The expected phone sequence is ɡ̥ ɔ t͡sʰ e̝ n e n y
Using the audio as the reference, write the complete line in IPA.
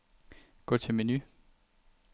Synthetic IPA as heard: ɡ̥ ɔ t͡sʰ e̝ m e n y